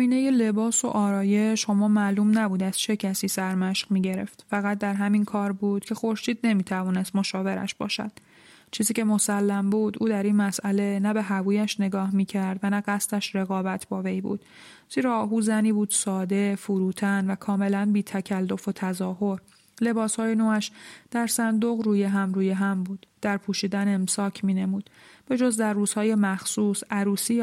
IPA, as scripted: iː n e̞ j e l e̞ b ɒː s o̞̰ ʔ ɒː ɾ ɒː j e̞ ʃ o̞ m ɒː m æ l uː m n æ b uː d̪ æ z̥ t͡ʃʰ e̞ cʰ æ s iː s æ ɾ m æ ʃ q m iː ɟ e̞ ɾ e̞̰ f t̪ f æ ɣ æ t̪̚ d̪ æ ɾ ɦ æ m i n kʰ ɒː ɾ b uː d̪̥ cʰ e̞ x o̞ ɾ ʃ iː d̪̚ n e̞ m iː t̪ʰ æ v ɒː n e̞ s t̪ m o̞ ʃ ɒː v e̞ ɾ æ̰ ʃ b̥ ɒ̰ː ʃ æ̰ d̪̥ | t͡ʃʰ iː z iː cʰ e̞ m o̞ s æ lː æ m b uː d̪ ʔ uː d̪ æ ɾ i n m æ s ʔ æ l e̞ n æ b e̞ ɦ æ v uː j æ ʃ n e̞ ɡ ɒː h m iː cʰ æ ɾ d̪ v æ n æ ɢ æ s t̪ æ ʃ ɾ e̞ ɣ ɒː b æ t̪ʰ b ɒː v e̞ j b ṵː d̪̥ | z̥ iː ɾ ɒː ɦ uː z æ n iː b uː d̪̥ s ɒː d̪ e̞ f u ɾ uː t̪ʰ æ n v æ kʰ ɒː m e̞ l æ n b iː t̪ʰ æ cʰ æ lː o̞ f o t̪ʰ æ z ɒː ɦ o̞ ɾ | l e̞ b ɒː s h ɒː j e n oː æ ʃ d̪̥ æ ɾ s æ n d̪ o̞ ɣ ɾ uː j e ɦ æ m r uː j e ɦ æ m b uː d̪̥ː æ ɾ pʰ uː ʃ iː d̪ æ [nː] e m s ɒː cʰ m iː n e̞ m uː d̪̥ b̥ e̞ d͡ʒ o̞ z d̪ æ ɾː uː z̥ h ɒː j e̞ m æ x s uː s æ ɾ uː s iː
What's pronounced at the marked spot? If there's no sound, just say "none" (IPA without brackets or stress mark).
n